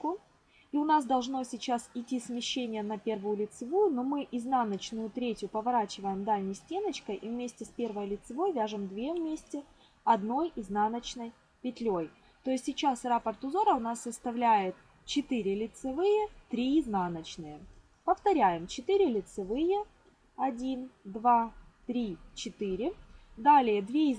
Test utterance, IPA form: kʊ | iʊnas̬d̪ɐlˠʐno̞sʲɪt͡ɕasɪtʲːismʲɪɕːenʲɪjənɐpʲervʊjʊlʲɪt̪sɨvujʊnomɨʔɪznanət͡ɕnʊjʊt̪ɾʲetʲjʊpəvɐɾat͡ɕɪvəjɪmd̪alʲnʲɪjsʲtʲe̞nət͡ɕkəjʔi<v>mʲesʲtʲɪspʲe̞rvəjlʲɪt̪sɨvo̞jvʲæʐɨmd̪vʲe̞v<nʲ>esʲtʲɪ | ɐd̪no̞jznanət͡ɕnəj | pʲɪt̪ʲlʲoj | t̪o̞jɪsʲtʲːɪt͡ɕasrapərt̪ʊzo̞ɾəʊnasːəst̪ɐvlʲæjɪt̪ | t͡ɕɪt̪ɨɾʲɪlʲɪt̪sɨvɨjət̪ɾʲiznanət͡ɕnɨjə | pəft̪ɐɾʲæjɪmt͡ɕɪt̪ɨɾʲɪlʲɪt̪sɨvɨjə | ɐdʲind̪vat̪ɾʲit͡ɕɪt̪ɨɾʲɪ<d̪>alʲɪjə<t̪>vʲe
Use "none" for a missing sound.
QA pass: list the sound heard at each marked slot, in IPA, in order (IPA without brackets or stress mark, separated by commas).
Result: v, mʲ, d̪, d̪